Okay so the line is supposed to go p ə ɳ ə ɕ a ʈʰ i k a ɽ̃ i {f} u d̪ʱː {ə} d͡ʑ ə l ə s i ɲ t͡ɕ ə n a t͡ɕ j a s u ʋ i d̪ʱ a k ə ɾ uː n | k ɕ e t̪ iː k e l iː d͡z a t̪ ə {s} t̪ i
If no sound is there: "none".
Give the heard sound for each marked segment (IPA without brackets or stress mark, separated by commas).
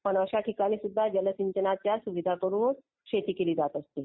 s, a, s